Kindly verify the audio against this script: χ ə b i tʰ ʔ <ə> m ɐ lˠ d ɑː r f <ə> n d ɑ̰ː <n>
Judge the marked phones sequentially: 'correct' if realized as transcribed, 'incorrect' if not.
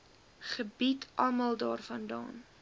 incorrect: ɐ, incorrect: ɐ, correct

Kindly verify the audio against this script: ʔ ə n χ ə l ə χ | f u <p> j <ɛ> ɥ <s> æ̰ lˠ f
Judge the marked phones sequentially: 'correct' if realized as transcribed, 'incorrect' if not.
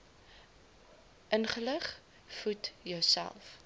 incorrect: t, incorrect: œ, correct

